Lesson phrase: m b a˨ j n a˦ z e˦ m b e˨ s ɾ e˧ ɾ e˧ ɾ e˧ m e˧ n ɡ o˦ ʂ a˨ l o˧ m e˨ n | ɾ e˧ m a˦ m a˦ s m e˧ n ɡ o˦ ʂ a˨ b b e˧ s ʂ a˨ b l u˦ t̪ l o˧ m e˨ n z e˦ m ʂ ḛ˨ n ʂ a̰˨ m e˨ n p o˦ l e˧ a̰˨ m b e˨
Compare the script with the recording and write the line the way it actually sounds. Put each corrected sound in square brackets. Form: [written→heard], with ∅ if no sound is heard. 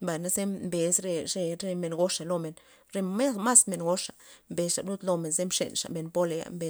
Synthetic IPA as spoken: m b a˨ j n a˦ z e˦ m b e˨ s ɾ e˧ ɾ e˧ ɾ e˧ m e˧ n ɡ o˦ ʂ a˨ l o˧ m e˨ n | ɾ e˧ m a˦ m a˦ s m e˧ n ɡ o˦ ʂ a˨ [b→m] b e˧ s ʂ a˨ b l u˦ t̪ l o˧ m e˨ n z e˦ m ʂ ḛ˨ n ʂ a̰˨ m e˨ n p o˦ l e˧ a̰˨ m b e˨

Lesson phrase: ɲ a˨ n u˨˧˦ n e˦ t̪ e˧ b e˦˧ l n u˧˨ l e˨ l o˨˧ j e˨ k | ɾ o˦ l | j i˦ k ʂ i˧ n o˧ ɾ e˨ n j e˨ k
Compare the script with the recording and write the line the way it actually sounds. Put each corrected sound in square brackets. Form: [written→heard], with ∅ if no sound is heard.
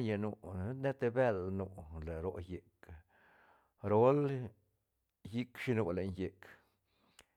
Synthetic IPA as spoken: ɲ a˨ n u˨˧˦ n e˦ t̪ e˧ b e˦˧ l n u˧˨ l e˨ [l→ɾ] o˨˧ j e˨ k | ɾ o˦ l | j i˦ k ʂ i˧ n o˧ [ɾ→l] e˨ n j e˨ k

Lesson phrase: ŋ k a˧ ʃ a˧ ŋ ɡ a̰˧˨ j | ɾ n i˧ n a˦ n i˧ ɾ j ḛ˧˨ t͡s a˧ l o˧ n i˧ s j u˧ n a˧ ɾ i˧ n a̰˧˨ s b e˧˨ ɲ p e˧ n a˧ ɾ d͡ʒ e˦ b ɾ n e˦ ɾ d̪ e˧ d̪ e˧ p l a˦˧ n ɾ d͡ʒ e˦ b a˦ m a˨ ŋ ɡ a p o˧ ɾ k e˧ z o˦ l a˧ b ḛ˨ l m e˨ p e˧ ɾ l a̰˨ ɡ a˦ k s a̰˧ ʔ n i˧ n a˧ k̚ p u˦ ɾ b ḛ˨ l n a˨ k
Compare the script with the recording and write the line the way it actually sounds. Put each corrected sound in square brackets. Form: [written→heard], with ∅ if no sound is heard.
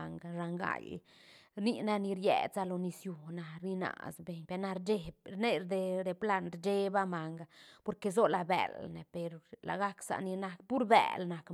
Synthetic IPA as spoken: ŋ [k→ɡ] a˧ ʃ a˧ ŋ ɡ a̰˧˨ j | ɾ n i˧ n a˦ n i˧ ɾ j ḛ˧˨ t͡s a˧ l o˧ n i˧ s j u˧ n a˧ ɾ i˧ n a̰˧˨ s b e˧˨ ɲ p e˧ n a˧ ɾ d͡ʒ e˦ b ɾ n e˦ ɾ d̪ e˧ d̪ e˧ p l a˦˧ n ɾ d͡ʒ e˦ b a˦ m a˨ ŋ ɡ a p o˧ ɾ k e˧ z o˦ l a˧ b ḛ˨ l [m→n] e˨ p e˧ ɾ l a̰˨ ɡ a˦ k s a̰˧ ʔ n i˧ n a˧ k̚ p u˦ ɾ b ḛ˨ l n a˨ k

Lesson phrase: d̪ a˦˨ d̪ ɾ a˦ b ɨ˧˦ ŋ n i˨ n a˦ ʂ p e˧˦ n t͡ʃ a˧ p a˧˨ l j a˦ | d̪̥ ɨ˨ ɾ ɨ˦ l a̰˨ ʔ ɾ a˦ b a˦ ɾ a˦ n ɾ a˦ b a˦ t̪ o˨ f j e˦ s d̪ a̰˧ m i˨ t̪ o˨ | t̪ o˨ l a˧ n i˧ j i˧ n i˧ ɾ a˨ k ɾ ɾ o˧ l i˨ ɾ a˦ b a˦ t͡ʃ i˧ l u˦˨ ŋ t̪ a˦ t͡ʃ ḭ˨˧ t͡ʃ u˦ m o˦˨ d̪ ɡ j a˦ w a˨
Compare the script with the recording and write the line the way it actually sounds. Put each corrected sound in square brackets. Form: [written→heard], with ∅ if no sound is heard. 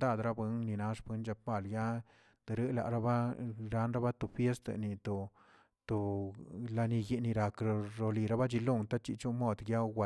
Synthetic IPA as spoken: d̪ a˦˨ d̪ ɾ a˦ b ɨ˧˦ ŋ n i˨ n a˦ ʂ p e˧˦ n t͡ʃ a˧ p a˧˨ l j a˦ | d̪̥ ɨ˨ ɾ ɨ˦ l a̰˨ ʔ ɾ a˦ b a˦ ɾ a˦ n ɾ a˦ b a˦ t̪ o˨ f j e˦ s [d̪→t̪] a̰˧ [m→n] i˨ t̪ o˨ | t̪ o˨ l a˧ n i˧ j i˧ n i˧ ɾ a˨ k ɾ ɾ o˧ l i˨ ɾ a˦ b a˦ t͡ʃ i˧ l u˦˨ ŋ t̪ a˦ t͡ʃ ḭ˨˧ t͡ʃ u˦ m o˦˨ d̪ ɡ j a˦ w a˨

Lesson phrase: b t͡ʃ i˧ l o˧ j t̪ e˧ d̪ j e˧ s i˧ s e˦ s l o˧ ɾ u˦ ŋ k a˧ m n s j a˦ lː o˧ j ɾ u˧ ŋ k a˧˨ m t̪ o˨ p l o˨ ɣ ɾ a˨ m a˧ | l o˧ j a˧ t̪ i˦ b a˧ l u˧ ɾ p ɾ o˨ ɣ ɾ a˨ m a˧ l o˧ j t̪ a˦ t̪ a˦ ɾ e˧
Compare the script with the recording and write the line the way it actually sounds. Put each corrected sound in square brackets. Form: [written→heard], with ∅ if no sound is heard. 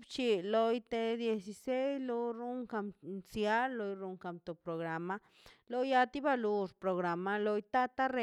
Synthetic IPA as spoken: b t͡ʃ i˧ l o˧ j t̪ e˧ d̪ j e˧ s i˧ s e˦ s l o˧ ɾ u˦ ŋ k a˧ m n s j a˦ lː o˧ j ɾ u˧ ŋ k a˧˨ m t̪ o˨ p [l→ɾ] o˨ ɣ ɾ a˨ m a˧ | l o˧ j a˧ t̪ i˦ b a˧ l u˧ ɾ p ɾ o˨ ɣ ɾ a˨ m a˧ l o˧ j t̪ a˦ t̪ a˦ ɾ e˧

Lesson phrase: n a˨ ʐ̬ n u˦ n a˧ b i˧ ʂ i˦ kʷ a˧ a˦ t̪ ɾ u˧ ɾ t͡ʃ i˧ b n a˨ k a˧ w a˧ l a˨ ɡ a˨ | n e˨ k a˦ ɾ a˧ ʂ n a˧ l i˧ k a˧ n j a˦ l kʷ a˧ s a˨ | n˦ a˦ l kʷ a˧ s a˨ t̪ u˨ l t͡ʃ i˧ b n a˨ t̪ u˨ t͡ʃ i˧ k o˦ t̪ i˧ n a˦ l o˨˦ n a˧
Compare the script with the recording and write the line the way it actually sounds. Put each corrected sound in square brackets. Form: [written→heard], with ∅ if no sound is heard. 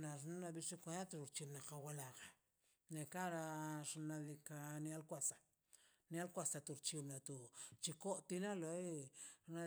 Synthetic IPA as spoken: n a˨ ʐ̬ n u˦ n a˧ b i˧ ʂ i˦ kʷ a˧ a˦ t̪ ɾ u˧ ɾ t͡ʃ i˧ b n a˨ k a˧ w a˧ l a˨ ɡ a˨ | n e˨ k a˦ ɾ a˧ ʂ n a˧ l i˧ k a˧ n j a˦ l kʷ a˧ s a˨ | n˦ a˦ l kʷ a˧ s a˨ t̪ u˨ [l→ɾ] t͡ʃ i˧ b n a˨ t̪ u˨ t͡ʃ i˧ k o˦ t̪ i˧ n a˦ l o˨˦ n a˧

